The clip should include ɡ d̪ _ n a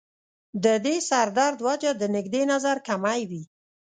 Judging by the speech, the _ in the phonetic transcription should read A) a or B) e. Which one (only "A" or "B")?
B